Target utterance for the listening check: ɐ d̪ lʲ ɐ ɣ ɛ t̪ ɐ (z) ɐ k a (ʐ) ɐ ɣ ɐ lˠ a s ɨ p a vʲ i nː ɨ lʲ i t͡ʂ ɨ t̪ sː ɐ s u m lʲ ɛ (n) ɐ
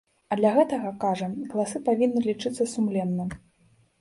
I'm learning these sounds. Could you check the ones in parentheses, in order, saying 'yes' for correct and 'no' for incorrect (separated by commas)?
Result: no, yes, no